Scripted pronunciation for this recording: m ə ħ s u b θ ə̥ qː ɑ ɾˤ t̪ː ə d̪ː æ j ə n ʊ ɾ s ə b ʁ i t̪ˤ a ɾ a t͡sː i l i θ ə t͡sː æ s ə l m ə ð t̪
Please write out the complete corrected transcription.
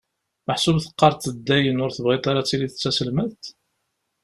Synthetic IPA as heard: m ə ħ s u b θ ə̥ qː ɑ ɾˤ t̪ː ə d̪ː æ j ə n ʊ ɾ θ ə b ʁ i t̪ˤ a ɾ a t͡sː i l i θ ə t͡sː æ s ə l m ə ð t̪